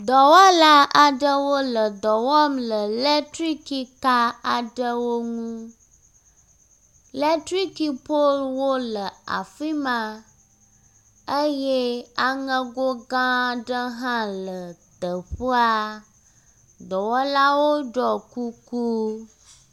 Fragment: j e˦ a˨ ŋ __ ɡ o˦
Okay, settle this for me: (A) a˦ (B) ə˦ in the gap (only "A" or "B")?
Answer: B